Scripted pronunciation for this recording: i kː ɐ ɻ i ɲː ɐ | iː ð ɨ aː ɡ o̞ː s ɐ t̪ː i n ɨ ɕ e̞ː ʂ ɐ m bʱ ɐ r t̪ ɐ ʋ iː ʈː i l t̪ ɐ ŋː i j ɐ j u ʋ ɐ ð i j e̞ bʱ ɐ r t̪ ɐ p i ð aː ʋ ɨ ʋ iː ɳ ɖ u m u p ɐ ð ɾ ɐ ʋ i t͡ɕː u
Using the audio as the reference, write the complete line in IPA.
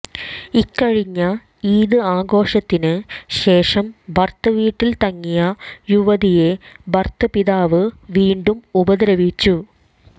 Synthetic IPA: i kː ɐ ɻ i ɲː ɐ | iː ð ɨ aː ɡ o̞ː ʂ ɐ t̪ː i n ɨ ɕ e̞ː ʂ ɐ m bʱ ɐ r t̪ ɐ ʋ iː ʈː i l t̪ ɐ ŋː i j ɐ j u ʋ ɐ ð i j e̞ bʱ ɐ r t̪ ɐ p i ð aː ʋ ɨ ʋ iː ɳ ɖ u m u b ɐ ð ɾ ɐ ʋ i t͡ɕː u